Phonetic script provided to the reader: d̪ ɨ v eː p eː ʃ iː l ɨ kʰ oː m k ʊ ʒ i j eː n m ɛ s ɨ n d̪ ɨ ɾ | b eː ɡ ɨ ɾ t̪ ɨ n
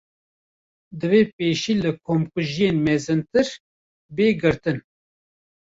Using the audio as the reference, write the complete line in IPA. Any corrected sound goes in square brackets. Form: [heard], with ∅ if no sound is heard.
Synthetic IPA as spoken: d̪ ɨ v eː p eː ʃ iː l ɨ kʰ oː m k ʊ ʒ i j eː n m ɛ [z] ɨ n [t̪] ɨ ɾ | b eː ɡ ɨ ɾ t̪ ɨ n